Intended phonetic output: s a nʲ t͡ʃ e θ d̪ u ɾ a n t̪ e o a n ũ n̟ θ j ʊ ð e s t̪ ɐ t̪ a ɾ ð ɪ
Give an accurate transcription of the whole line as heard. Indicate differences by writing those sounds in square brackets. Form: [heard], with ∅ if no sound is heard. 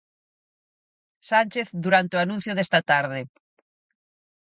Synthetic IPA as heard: s a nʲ t͡ʃ e θ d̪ u ɾ a n t̪ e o a n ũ n̟ θ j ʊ ð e s t̪ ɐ t̪ a ɾ ð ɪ